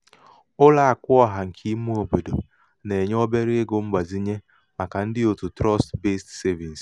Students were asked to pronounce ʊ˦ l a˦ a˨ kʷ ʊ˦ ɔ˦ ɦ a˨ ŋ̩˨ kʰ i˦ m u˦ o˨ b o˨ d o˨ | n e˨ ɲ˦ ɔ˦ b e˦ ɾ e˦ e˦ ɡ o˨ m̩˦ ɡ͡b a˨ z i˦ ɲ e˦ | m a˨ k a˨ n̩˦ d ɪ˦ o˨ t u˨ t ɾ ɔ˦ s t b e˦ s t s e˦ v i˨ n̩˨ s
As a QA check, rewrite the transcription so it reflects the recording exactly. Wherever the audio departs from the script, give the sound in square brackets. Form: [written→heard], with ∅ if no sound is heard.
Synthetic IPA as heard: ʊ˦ l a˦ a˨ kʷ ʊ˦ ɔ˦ ɦ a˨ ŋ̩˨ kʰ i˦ m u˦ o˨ b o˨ d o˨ | n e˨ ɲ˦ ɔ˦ b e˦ ɾ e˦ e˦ ɡ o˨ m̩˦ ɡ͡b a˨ z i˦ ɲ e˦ | m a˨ k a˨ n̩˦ d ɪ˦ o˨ t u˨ t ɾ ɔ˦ s t b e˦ s t s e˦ v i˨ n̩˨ s